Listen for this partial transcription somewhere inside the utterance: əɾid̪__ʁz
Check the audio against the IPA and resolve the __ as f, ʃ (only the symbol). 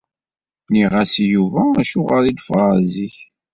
f